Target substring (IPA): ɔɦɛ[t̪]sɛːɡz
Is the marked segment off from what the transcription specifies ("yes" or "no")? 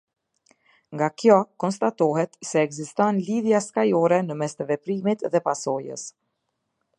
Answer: no